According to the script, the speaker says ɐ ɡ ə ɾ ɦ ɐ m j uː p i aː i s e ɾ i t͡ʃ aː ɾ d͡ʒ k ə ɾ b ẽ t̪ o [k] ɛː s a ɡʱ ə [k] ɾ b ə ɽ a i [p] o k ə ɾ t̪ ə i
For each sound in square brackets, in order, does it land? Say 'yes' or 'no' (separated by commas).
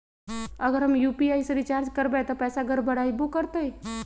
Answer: no, no, no